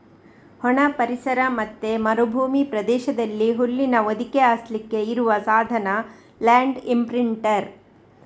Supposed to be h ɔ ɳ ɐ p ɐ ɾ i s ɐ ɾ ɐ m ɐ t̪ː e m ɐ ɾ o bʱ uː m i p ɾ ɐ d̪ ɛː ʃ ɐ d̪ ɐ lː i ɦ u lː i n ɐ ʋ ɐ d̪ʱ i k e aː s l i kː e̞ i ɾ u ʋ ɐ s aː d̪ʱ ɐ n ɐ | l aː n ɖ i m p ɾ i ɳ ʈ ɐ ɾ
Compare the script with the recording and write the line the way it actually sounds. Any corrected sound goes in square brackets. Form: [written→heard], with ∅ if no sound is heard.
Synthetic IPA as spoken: h ɔ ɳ ɐ p ɐ ɾ i s ɐ ɾ ɐ m ɐ t̪ː e m ɐ ɾ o bʱ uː m i p ɾ ɐ d̪ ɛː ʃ ɐ d̪ ɐ lː i ɦ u lː i n ɐ ʋ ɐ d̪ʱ i k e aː s l i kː e̞ i ɾ u ʋ ɐ s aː d̪ʱ ɐ n ɐ | l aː [n→ɳ] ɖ i m p ɾ i ɳ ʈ ɐ ɾ